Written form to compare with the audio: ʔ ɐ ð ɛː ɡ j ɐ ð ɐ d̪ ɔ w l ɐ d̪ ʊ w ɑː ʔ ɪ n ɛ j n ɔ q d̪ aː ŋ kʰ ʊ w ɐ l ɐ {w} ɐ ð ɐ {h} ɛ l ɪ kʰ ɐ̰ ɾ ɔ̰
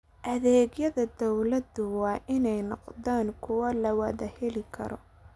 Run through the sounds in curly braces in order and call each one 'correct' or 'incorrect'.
correct, correct

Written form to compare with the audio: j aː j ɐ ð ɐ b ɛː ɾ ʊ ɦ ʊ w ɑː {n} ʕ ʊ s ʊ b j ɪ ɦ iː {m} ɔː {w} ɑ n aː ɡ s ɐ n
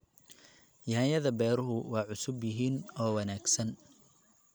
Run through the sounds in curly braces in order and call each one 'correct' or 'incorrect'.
incorrect: none, incorrect: n, correct

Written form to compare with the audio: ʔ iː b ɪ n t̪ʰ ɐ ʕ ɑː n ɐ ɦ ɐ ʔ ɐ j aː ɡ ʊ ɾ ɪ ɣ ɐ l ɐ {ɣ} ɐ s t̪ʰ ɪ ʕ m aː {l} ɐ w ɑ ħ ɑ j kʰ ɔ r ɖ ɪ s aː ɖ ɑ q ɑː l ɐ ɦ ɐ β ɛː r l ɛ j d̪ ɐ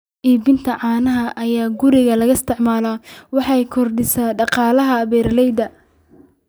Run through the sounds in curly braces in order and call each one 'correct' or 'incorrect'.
correct, correct

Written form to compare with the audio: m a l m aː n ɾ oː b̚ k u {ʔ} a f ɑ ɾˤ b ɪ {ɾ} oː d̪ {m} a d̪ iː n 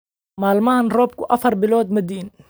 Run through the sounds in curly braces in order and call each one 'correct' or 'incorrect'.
correct, incorrect: l, correct

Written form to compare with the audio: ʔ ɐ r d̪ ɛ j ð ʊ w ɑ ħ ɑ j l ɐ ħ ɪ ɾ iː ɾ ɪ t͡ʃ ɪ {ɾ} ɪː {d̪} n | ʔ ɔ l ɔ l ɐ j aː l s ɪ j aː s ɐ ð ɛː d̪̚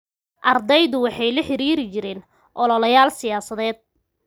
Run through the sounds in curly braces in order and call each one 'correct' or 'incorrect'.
correct, incorrect: none

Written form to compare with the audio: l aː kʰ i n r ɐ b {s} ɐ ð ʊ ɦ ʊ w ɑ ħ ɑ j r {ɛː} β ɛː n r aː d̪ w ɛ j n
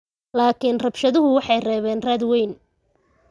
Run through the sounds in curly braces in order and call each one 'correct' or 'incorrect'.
incorrect: ʃ, correct

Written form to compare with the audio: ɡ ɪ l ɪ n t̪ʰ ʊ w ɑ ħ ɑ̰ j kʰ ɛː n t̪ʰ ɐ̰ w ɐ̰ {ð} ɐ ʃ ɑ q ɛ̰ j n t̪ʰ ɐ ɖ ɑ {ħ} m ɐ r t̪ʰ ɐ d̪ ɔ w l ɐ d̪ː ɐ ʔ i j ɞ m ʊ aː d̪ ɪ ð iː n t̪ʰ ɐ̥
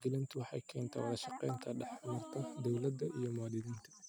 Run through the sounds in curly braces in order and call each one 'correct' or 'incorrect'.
correct, correct

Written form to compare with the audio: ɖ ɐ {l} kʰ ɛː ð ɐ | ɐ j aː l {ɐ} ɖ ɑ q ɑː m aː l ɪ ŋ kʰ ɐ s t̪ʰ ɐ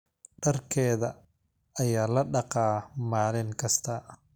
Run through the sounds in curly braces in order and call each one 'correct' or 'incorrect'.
incorrect: r, correct

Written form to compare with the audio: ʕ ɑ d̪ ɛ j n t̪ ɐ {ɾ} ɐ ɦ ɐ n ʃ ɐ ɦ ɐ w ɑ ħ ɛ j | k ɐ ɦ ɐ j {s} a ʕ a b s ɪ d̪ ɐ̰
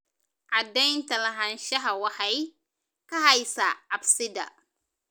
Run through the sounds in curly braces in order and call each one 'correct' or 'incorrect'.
incorrect: l, correct

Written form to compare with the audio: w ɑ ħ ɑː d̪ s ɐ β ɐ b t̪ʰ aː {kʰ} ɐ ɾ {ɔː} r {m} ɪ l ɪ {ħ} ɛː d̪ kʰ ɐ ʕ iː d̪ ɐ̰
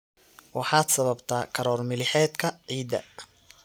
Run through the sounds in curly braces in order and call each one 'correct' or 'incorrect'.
correct, correct, correct, correct

